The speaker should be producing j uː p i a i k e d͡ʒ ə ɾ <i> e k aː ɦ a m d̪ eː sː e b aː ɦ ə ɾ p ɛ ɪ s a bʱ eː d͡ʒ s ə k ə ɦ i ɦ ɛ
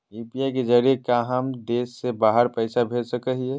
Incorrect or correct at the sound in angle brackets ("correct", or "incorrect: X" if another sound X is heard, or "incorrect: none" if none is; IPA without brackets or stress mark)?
correct